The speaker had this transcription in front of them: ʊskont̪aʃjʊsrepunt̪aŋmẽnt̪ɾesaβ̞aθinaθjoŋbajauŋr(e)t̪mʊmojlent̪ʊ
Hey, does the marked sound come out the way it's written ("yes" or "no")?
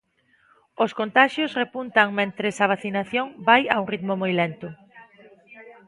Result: no